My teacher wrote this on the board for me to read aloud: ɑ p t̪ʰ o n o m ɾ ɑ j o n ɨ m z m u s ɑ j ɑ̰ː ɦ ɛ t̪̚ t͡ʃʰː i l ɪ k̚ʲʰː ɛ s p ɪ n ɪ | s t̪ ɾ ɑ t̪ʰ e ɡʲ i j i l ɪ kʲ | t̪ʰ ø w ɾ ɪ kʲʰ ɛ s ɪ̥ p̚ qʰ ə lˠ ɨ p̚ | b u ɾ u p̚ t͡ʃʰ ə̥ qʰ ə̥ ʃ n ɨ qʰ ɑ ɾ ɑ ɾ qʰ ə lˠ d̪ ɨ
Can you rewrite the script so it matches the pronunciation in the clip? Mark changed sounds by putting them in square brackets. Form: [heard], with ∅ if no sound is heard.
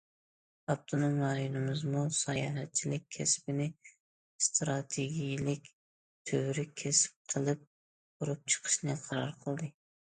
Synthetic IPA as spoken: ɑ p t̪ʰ o n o m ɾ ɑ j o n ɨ m z m u s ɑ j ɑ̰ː ɦ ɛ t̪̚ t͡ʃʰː i l ɪ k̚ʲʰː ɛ s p ɪ n ɪ | s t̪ ɾ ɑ t̪ʰ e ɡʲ i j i l ɪ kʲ | t̪ʰ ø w ɾ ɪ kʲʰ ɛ s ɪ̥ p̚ qʰ ə lˠ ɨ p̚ | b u ɾ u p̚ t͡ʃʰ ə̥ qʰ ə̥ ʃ n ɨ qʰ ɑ ɾ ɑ ɾ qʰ ə lˠ d̪ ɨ